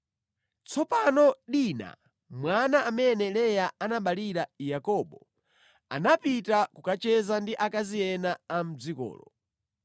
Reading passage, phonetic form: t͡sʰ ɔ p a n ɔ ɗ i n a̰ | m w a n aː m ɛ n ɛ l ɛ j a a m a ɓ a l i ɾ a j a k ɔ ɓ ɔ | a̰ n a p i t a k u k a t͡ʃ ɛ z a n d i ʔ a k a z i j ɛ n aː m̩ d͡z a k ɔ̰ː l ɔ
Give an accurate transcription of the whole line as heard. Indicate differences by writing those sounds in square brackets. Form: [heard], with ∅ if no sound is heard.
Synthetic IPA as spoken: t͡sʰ ɔ p a n ɔ ɗ i n a̰ | m w a n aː m ɛ n ɛ l ɛ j a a [n] a ɓ a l i ɾ a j a k ɔ ɓ ɔ | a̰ n a p i t a k u k a t͡ʃ ɛ z a n d i ʔ a k a z i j ɛ n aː m̩ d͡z [i] k ɔ̰ː l ɔ